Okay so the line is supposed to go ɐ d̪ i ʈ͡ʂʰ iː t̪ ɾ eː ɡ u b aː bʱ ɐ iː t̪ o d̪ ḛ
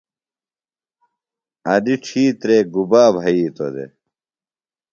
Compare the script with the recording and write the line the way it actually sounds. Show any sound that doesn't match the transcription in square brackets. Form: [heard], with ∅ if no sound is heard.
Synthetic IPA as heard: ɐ d̪ i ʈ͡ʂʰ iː t̪ ɾ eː ɡ u b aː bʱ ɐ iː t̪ o d̪ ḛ